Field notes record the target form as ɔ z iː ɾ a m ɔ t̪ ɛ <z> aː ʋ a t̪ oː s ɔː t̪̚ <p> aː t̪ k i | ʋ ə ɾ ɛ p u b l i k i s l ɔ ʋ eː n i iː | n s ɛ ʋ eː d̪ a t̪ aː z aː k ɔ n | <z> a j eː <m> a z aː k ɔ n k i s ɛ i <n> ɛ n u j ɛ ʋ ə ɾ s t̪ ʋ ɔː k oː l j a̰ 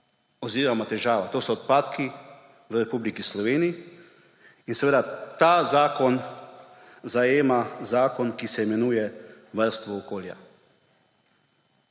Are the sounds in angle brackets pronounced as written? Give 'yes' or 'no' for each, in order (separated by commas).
no, yes, yes, yes, no